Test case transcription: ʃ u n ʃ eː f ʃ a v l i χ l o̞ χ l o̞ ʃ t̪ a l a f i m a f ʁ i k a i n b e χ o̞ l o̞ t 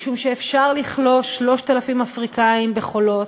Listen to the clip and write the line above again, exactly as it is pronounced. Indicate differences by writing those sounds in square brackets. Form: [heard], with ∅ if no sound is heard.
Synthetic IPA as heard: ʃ u [m] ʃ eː f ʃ a [ʁ] l i χ l o̞ [ʃ] l o̞ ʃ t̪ a l a f i m a f ʁ i k a i [m] b e χ o̞ l o̞ t